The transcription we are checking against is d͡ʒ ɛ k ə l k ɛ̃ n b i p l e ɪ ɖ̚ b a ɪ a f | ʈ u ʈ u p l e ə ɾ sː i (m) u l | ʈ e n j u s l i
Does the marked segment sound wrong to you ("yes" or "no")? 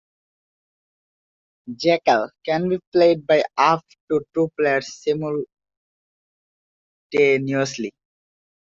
no